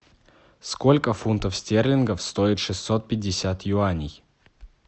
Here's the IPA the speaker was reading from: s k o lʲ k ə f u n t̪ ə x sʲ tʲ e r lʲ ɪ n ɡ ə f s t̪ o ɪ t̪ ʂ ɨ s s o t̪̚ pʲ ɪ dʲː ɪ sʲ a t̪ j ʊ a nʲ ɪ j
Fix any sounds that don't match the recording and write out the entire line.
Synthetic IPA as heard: s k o lʲ k ə f u n t̪ ə f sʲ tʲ e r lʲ ɪ n ɡ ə f s t̪ o ɪ t̪ ʂ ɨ s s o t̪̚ pʲ ɪ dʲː ɪ sʲ a t̪ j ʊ a nʲ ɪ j